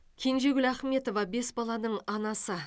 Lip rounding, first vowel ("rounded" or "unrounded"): unrounded